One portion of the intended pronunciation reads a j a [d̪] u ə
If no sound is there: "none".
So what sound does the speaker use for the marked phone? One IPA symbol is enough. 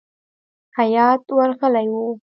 t̪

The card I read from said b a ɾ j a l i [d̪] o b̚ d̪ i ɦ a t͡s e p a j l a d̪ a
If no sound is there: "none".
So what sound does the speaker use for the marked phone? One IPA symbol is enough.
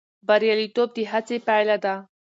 t̪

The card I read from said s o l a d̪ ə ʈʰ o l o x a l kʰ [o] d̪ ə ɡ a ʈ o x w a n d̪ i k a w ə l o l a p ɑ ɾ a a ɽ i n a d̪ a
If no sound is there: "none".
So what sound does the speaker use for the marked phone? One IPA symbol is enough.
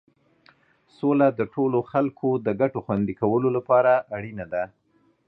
o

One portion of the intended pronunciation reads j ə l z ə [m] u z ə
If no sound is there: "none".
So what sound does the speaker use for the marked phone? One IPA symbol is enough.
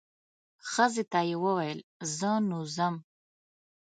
n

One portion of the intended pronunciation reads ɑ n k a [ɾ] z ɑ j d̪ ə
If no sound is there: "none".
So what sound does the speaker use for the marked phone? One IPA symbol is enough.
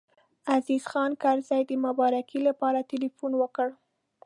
ɾ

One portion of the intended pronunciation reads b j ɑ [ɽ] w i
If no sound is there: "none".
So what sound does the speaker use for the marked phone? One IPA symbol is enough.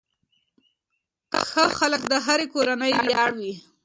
ɽ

